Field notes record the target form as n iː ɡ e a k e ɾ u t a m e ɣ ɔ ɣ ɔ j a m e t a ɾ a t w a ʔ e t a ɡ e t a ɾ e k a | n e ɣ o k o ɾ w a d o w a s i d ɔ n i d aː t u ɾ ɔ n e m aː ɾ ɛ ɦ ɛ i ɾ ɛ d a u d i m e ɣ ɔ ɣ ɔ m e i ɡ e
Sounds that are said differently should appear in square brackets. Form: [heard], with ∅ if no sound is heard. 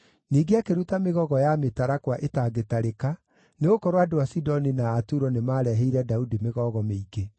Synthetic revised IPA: n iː ɡ e a k e ɾ u t a m e ɣ ɔ ɣ ɔ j a m e t a ɾ a [k] w a ʔ e t a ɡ e t a ɾ e k a | n e ɣ o k [ɔ] ɾ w a d o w a s i d ɔ n i [n] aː t u ɾ ɔ n e m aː ɾ ɛ ɦ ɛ i ɾ ɛ d a u d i m e ɣ ɔ ɣ ɔ m e i ɡ e